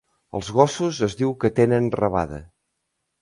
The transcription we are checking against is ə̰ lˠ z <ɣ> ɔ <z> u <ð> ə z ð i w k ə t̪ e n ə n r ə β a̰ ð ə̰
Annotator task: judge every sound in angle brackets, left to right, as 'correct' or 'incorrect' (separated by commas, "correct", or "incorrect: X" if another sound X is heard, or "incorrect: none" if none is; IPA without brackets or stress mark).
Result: correct, incorrect: s, incorrect: z